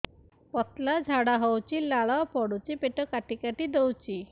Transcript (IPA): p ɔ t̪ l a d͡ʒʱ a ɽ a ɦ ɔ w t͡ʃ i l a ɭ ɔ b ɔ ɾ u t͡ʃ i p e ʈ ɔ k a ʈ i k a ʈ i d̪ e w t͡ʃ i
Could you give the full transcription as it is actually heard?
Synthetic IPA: p ɔ t̪ l a d͡ʒʱ a ɽ a ɦ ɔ w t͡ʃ i l a ɭ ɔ p ɔ ɽ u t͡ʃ i p e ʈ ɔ k a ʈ i k a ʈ i d̪ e w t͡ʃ i